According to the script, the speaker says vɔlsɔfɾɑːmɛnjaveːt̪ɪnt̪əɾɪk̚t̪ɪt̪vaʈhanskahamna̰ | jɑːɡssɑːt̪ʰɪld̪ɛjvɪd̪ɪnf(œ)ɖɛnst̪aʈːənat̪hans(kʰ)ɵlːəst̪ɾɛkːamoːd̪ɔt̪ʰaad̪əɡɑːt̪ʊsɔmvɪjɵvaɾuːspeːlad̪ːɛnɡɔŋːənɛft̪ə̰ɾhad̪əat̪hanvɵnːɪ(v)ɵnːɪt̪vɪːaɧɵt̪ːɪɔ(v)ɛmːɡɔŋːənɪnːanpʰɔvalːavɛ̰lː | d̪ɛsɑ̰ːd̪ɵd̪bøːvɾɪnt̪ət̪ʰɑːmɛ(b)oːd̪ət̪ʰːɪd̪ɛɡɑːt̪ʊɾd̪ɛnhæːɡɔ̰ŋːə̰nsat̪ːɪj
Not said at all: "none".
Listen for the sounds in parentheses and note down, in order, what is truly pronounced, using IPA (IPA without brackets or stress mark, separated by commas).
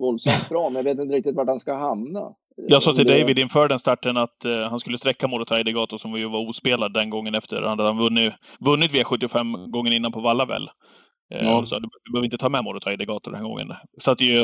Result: œː, k, v, f, m